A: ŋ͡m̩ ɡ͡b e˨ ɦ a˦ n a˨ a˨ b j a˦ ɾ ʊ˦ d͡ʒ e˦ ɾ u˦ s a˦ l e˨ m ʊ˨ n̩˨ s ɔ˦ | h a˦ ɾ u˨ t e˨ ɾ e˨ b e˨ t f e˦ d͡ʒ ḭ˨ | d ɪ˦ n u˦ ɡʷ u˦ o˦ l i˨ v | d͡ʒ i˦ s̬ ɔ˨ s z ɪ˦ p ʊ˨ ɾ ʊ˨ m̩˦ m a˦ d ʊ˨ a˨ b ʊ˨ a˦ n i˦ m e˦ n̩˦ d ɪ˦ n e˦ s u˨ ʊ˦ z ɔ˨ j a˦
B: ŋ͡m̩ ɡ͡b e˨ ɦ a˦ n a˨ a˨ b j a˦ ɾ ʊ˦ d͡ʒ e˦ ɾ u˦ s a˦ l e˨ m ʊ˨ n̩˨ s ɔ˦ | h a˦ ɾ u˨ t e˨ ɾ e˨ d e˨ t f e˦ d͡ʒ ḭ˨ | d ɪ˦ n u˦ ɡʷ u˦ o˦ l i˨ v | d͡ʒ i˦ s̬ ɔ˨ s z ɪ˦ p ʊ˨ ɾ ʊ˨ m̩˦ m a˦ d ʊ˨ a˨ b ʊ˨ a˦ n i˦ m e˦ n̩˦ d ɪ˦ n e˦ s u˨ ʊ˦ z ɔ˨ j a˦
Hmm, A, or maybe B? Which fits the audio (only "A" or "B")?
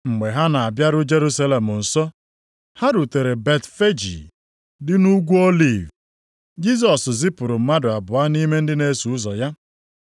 A